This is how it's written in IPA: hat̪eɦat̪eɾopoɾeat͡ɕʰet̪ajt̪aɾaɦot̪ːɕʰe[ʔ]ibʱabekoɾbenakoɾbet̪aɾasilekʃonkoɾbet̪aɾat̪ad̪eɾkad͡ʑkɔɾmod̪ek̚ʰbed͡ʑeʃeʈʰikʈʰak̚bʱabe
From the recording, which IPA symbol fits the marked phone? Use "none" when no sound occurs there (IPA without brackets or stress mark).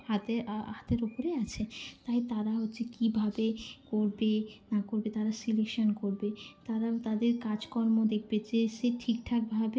k